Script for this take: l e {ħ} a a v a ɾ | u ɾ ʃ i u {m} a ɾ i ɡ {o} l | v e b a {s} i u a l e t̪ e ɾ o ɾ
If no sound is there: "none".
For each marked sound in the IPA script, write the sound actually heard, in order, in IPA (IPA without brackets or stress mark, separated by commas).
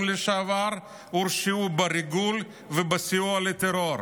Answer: ʃ, b, u, s